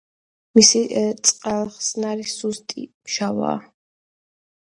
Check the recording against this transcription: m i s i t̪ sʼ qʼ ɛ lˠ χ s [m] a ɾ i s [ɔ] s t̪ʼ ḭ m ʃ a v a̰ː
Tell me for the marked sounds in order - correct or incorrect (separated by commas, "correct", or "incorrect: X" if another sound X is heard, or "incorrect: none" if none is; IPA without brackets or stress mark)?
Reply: incorrect: n, incorrect: u